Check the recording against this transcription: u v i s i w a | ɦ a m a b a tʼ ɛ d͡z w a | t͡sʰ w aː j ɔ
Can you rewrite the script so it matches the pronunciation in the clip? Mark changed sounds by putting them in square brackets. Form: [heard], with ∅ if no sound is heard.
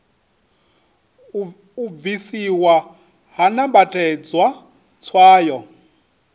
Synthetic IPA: u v i s i w a | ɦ a [n] a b a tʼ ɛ d͡z w a | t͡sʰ w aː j ɔ

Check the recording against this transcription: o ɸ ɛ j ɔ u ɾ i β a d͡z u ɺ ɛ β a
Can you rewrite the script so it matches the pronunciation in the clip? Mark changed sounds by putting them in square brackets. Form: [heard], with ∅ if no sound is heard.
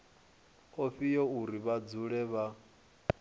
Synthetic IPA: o ɸ [i] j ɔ u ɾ i β a d͡z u ɺ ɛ β a

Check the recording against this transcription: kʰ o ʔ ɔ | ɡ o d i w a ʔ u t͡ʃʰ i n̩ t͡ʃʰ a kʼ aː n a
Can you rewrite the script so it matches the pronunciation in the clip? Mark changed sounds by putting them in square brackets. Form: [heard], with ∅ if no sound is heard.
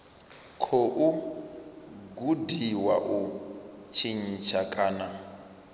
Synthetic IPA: kʰ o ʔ [u] | ɡ [u] d i w a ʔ u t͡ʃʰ i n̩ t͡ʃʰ a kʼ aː n a

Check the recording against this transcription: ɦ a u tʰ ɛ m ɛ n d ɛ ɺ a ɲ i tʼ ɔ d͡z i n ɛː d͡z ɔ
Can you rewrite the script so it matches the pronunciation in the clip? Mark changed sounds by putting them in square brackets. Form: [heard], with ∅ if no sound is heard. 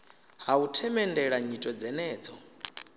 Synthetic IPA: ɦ a u tʰ ɛ m ɛ n d ɛ ɺ a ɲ i tʼ ɔ d͡z [ɛ] n ɛː d͡z ɔ

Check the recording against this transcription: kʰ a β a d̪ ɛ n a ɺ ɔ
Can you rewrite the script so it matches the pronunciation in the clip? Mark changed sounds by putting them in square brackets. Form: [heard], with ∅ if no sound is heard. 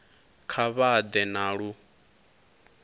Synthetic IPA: kʰ a β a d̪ ɛ n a ɺ [u]

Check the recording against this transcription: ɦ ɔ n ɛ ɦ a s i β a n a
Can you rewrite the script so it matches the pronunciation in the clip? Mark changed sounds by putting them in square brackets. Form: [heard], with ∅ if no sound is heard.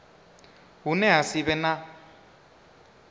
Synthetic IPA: ɦ [u] n ɛ ɦ a s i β [ɛ] n a

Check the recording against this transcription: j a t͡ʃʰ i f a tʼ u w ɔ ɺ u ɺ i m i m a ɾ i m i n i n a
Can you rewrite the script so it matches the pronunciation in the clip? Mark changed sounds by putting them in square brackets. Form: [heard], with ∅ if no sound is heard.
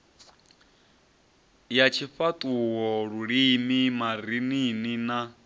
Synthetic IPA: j a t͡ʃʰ i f a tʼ u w ɔ ɺ u ɺ i m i m a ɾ i [n] i n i n a

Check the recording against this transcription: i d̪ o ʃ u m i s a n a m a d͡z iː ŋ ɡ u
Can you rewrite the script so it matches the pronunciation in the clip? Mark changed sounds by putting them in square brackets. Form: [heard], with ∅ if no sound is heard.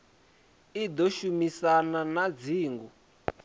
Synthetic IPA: i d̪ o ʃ u m i s a n a [n] a d͡z iː ŋ ɡ u

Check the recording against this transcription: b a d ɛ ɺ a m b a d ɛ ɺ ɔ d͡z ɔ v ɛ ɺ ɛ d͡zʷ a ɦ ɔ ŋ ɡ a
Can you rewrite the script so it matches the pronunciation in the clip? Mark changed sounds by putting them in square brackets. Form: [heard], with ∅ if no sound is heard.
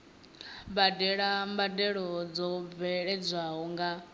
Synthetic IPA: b a d ɛ ɺ a m b a d ɛ ɺ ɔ d͡z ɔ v ɛ ɺ ɛ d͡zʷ a ɦ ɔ ŋ ɡ a

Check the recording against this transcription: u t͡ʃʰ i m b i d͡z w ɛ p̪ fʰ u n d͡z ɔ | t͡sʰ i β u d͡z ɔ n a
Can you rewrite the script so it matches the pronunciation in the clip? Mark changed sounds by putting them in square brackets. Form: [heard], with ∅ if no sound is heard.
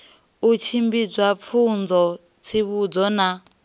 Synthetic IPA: u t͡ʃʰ i m b i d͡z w [a] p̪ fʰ u n d͡z ɔ | t͡sʰ i β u d͡z ɔ n a

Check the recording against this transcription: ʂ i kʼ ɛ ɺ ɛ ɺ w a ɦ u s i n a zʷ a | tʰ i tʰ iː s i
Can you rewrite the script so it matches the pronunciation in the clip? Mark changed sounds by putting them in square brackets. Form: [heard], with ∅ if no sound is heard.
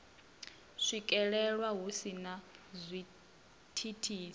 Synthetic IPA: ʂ i kʼ ɛ ɺ ɛ ɺ w a ɦ u s i n a zʷ [i] | tʰ i tʰ iː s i

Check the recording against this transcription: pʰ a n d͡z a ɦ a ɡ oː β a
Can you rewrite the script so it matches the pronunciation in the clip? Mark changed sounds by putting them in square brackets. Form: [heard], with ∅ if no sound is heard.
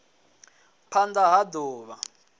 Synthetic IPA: pʰ a n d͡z a ɦ a [d] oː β a

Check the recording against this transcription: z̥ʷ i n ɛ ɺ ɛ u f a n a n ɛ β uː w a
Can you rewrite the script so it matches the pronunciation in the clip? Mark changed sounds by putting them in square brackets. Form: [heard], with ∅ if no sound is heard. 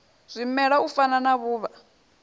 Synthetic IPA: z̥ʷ i [m] ɛ ɺ [a] u f a n a n [a] β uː [β] a

